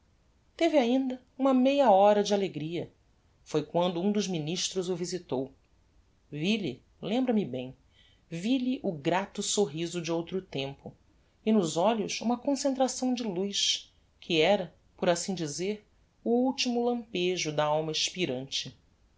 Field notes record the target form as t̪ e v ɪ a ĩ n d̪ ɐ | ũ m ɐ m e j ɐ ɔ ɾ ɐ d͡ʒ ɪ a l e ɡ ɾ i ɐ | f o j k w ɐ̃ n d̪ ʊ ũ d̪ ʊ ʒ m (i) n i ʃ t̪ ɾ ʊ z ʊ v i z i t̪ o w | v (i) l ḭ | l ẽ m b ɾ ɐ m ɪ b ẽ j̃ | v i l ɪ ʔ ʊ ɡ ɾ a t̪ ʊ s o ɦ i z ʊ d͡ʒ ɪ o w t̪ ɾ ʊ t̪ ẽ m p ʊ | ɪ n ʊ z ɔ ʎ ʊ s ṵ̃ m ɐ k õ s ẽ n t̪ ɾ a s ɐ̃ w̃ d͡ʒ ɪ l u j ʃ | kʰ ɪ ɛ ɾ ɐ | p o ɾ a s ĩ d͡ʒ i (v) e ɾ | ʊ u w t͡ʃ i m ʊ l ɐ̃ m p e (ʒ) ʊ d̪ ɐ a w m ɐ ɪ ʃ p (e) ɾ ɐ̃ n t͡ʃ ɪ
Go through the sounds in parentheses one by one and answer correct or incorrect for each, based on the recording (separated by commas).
correct, correct, incorrect, correct, incorrect